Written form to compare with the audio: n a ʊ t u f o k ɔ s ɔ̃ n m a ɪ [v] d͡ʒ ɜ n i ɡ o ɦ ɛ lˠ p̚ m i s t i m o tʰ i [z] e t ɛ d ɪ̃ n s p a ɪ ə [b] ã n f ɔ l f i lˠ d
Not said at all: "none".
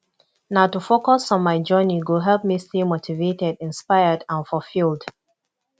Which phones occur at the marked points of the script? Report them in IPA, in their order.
none, v, d

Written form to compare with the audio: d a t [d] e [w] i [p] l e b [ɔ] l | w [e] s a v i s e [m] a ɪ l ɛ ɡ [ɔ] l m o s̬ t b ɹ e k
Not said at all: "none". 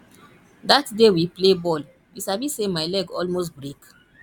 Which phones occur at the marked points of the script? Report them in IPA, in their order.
d, w, p, ɔ, i, m, ɔ

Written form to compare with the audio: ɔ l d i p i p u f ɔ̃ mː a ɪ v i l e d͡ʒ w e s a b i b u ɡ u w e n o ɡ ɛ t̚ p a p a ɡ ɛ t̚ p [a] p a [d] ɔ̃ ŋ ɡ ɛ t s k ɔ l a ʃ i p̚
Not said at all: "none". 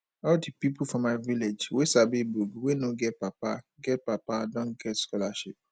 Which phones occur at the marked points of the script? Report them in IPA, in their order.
a, d

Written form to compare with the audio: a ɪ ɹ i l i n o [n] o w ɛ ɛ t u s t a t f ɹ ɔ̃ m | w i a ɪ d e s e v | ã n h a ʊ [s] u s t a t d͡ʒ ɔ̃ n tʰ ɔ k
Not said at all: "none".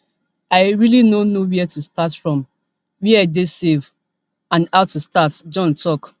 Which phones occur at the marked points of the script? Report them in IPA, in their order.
n, t

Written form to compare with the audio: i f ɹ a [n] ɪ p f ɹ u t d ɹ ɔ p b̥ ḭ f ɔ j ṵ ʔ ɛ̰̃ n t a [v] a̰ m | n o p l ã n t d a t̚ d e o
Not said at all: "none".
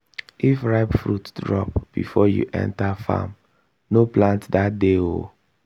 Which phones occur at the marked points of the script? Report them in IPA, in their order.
none, f

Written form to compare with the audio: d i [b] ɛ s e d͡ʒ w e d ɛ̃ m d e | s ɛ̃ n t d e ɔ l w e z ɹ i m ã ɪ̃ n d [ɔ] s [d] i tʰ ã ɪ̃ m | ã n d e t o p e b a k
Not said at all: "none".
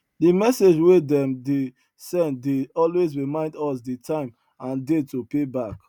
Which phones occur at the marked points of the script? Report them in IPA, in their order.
m, ɔ, d

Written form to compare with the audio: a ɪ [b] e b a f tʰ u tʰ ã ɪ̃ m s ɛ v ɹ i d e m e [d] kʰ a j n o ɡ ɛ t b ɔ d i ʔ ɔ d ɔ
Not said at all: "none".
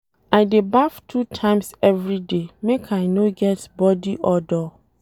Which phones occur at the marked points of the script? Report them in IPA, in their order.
d, none

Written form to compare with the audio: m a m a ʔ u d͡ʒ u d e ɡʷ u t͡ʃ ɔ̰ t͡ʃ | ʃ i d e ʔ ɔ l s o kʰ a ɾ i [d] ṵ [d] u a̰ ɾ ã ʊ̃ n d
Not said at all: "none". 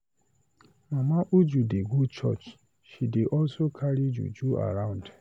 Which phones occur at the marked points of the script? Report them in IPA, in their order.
d͡ʒ, d͡ʒ

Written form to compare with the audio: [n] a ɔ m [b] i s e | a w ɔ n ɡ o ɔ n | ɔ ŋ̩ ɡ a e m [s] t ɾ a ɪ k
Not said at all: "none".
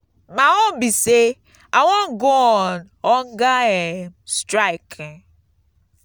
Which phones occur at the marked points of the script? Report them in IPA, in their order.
m, b, s

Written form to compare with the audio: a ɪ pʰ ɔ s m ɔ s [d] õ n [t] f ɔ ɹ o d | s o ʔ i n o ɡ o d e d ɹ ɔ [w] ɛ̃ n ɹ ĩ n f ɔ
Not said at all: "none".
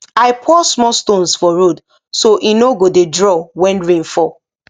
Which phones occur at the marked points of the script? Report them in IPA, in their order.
t, s, w

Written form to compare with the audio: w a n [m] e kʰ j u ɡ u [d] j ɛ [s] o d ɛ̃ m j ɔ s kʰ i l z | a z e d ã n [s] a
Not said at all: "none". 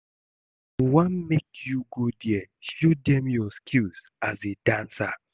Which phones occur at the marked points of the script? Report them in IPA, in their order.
m, d, ʃ, s

